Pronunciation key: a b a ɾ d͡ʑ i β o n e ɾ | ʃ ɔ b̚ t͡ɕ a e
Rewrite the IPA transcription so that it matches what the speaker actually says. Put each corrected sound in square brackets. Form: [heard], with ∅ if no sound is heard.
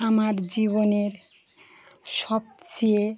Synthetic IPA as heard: a [m] a ɾ d͡ʑ i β o n e ɾ | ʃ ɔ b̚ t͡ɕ [i] e